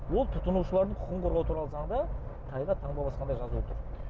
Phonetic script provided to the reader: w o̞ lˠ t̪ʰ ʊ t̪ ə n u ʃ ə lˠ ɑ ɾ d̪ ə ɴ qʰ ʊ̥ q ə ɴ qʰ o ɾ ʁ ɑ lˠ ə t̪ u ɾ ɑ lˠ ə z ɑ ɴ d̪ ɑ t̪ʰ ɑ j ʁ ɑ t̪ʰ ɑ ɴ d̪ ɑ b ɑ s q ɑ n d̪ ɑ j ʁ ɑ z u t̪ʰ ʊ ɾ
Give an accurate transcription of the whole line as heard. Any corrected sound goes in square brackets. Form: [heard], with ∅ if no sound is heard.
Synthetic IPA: w o̞ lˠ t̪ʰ ʊ t̪ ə n u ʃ ə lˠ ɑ ɾ d̪ ə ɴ qʰ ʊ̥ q ə ɴ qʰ o ɾ ʁ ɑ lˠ ə t̪ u ɾ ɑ lˠ ə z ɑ ɴ d̪ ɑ t̪ʰ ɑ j ʁ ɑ t̪ʰ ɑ ɴ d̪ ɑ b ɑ s q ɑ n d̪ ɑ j [ʒ] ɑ z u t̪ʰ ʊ ɾ